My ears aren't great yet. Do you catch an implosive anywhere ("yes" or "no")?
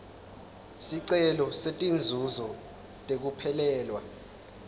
no